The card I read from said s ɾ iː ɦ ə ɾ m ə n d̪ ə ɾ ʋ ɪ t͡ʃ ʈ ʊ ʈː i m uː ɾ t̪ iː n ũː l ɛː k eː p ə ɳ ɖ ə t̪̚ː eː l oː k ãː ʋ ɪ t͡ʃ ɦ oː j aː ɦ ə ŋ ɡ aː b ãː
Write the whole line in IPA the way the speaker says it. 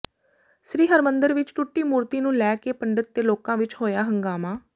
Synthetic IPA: s ɾ iː ɦ ə ɾ m ə n d̪ ə ɾ ʋ ɪ t͡ʃ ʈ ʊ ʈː iː m uː ɾ t̪ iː n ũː l ɛː k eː p ə ɳ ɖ ə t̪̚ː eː l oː k ãː ʋ ɪ t͡ʃ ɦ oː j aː ɦ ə ŋ ɡ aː m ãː